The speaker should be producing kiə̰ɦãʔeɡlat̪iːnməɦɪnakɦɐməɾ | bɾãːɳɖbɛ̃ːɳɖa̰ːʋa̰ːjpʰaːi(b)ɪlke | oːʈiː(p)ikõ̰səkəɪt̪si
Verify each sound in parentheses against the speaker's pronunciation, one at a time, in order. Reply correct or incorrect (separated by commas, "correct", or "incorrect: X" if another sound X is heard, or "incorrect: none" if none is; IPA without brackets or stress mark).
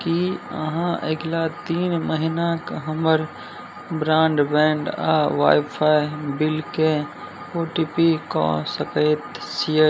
correct, correct